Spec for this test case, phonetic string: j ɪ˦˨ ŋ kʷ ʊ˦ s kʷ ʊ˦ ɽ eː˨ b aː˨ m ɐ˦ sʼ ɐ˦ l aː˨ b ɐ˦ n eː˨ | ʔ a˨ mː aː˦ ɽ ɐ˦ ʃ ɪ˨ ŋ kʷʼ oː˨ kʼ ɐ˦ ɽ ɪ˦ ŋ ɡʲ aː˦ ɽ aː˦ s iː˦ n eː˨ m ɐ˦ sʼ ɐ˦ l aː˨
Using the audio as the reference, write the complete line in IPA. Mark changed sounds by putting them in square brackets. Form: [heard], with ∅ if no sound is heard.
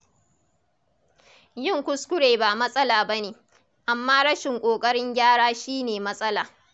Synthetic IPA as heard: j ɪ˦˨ ŋ kʷ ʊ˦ s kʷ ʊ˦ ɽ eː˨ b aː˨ m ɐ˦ sʼ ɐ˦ l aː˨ b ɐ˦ n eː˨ | ʔ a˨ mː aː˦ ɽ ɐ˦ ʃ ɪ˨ ŋ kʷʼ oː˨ kʼ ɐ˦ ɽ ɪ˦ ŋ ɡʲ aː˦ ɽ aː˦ [ʃ] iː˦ n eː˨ m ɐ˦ sʼ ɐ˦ l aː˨